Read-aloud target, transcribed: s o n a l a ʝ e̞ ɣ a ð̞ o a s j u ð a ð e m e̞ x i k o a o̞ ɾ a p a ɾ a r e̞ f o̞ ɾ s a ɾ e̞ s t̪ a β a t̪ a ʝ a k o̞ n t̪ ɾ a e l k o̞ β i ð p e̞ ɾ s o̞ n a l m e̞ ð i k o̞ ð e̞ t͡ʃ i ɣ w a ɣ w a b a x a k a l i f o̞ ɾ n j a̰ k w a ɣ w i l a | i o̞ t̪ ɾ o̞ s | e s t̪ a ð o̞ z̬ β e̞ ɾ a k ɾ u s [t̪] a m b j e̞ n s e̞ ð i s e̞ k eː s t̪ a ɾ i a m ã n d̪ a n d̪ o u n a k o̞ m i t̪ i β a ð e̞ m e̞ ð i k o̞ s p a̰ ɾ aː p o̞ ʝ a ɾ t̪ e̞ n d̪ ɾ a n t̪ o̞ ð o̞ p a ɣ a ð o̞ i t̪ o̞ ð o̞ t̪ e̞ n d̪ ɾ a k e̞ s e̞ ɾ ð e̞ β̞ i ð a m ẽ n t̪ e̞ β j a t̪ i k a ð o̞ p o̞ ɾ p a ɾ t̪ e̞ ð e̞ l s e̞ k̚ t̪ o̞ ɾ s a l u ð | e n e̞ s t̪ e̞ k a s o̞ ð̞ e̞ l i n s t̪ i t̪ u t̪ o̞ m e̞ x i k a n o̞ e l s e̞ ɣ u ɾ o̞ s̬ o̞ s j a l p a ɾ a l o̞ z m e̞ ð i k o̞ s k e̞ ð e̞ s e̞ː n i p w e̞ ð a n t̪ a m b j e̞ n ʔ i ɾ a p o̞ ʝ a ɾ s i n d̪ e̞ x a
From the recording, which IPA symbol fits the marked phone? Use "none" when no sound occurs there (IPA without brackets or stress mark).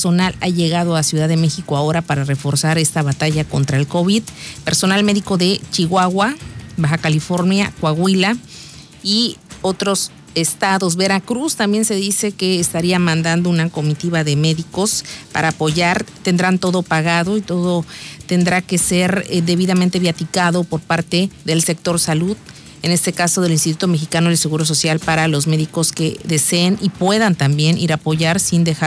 t̪